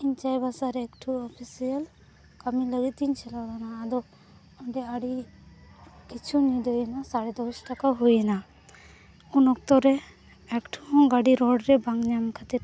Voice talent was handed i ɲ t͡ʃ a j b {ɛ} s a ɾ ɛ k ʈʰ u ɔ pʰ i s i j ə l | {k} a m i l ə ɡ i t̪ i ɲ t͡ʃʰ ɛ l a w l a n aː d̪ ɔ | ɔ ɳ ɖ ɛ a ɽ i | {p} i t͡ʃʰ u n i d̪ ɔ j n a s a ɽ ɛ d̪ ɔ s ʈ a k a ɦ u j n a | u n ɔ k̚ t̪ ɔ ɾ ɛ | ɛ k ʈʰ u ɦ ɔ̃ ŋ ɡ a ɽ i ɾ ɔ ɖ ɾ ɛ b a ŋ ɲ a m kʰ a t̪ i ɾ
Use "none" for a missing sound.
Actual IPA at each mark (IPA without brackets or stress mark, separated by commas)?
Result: a, k, k